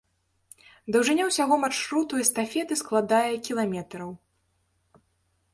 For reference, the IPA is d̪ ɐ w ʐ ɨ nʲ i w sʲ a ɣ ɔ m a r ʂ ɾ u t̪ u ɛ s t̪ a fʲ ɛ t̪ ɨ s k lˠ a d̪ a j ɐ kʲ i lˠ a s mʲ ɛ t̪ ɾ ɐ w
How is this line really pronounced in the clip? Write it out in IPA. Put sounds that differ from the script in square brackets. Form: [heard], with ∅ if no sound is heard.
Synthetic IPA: d̪ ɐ w ʐ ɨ nʲ [a] w sʲ a ɣ ɔ m a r ʂ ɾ u t̪ u ɛ s t̪ a fʲ ɛ t̪ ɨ s k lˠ a d̪ a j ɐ kʲ i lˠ a [∅] mʲ ɛ t̪ ɾ ɐ w